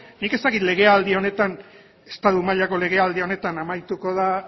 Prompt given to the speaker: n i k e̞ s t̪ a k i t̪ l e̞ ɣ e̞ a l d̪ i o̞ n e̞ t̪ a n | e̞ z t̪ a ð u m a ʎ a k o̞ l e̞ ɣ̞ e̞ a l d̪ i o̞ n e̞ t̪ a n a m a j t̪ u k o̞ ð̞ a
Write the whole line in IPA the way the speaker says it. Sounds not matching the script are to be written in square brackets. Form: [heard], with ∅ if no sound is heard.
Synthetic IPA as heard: n i k e̞ s t̪ a k i t̪ l e̞ ɣ e̞ a l d̪ i o̞ n e̞ t̪ a n | e̞ [s] t̪ a ð u m a ʎ a k o̞ l e̞ ɣ̞ e̞ a l d̪ i o̞ n e̞ t̪ a n a m a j t̪ u k o̞ ð̞ a